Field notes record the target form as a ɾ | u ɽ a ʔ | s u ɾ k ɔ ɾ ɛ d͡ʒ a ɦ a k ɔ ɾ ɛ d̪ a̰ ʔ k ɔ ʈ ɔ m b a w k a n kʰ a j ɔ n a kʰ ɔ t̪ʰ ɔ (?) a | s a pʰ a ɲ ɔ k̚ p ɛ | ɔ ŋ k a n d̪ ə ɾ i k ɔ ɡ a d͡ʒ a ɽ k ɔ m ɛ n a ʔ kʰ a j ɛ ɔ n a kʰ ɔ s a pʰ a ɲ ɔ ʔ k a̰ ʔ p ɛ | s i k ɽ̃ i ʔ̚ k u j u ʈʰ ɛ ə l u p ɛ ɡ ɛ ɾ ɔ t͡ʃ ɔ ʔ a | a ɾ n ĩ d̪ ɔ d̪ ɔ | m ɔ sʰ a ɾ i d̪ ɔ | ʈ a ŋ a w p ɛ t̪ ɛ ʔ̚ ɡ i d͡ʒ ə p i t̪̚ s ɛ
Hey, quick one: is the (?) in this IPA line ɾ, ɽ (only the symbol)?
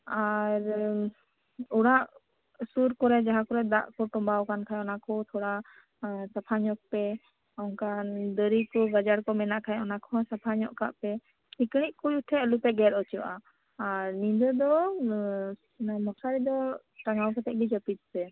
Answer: ɽ